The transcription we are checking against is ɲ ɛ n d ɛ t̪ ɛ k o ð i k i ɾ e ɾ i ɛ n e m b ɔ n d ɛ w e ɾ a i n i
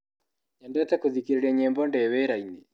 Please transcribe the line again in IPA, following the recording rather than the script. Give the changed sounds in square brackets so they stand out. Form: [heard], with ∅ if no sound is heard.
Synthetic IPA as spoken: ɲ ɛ n d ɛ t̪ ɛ k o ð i k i ɾ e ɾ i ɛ [ɲ] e m b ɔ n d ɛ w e ɾ a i n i

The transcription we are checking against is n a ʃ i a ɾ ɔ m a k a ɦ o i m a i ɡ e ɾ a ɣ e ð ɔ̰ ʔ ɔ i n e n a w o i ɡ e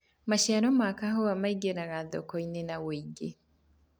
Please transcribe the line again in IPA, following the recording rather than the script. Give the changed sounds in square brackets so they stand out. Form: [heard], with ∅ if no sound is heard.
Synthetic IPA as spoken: [m] a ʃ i a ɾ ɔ m a k a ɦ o [a] m a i ɡ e ɾ a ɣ [a] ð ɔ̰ [k] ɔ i n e n a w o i ɡ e

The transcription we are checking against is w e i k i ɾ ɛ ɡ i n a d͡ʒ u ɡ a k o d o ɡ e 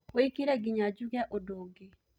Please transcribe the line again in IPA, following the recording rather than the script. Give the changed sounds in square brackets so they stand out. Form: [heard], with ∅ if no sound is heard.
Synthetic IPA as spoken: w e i k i ɾ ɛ ɡ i [ɲ] a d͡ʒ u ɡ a [ʔ] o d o ɡ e

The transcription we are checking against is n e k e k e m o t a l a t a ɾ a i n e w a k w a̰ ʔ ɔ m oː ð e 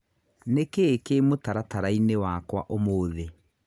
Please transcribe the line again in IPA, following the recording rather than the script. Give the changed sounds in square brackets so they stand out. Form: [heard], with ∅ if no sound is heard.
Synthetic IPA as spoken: n e k e k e m o t a [ɾ] a t a ɾ a i n e w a k w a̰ ʔ [o] m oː ð e

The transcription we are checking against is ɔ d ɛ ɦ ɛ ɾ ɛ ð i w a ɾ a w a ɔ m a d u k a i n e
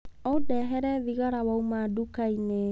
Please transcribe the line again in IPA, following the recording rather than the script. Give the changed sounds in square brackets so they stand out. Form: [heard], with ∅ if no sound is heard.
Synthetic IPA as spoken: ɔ d ɛ ɦ ɛ ɾ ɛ ð i [ɣ] a ɾ a w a [u] m a d u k a i n e

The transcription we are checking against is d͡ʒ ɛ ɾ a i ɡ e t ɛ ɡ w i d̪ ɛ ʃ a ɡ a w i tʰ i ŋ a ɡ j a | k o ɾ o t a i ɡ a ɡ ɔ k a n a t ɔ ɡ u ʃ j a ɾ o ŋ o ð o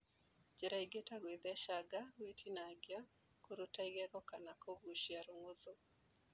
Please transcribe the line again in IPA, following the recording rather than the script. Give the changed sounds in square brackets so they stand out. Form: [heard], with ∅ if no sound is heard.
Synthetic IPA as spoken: d͡ʒ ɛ ɾ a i ɡ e t [a] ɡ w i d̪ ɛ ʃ a ɡ a w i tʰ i [n] a ɡ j a | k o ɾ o t a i ɡ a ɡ ɔ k a n a [k] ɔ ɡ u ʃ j a ɾ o ŋ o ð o

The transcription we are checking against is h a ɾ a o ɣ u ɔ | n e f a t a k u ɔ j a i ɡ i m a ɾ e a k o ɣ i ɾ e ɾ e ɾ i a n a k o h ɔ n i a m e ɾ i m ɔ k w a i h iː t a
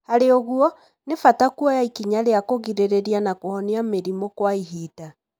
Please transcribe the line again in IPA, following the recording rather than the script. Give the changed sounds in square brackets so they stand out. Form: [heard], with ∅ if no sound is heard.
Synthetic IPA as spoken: h a ɾ [e] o ɣ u ɔ | n e f a t a k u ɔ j a i [k] i [ɲ] a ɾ e a k o ɣ i ɾ e ɾ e ɾ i a n a k o h ɔ n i a m e ɾ i m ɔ k w a i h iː t a

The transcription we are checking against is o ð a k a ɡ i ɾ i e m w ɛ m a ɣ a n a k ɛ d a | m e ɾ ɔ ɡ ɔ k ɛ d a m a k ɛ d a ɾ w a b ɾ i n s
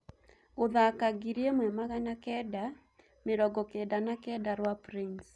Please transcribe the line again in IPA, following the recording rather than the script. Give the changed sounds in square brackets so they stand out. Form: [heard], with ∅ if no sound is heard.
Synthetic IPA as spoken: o ð a k a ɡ i ɾ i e m w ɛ m a ɣ a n a k ɛ d a | m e ɾ ɔ ɡ ɔ k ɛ d a [n] a k ɛ d a ɾ w a [p] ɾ i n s

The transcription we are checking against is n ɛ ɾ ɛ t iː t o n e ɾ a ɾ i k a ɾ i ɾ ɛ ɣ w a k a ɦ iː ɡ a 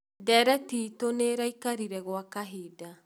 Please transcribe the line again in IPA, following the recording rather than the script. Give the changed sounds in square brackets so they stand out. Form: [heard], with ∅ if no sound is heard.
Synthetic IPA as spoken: [d] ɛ ɾ ɛ t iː t o n e ɾ a [∅] i k a ɾ i ɾ ɛ ɣ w a k a ɦ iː [d] a

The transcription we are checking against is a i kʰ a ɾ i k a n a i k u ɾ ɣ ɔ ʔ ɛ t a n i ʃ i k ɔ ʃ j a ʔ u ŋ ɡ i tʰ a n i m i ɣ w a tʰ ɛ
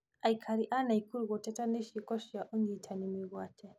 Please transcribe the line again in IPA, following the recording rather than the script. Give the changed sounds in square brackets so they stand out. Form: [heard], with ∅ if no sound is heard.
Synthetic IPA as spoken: a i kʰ a ɾ i [ʔ] a n a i k u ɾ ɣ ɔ [t] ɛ t a n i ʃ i k ɔ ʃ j a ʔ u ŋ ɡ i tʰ a n i m i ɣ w a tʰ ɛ

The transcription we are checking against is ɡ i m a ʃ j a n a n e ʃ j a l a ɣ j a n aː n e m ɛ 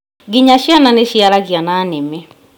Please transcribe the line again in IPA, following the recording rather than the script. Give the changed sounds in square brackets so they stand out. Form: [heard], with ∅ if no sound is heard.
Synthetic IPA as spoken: ɡ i [ɲ] a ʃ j a n a n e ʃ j a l a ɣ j a n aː n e m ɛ

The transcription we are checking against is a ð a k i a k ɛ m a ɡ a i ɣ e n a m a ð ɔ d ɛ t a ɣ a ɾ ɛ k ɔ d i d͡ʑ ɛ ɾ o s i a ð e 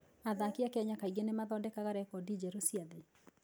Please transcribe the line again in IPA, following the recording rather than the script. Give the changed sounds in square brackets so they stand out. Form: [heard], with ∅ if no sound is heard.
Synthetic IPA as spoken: a ð a k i a k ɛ [ɲ] a [k] a i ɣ e n [e] m a ð ɔ d ɛ [k] a ɣ a ɾ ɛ k ɔ d i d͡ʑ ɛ ɾ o s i a ð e

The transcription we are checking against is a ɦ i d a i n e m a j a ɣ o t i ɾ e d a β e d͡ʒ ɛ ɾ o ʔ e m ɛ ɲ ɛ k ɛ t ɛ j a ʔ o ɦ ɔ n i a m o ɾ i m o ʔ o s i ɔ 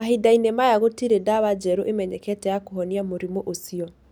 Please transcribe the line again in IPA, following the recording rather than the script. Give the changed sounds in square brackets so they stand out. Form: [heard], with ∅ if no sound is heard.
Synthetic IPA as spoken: a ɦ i d a i n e m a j a ɣ o t i ɾ e d a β [a] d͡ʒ ɛ ɾ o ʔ e m ɛ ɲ ɛ k ɛ t ɛ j a [k] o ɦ ɔ n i a m o ɾ i m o ʔ o s i ɔ

